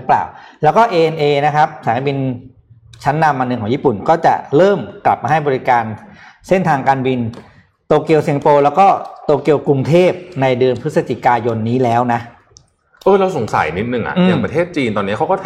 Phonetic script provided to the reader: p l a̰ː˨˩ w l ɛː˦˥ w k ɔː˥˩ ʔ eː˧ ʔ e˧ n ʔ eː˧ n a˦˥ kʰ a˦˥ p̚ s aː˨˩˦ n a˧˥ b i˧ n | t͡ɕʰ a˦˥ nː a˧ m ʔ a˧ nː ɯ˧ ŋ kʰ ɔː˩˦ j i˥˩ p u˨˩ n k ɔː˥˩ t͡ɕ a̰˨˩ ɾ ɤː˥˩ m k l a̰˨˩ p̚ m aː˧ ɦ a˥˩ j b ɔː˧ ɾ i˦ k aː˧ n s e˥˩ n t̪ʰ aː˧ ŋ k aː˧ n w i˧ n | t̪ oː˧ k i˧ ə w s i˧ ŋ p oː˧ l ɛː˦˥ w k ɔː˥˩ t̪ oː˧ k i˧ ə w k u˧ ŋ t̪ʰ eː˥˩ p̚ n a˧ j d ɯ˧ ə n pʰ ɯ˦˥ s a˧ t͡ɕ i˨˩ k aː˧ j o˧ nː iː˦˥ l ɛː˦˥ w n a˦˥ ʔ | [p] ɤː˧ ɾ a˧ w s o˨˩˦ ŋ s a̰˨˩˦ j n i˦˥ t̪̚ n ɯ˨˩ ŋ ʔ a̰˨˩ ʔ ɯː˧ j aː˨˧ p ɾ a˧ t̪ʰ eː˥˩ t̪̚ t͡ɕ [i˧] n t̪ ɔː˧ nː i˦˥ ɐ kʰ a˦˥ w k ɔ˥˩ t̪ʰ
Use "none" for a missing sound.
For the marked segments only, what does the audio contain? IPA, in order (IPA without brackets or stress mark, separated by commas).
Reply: ʔ, iː˧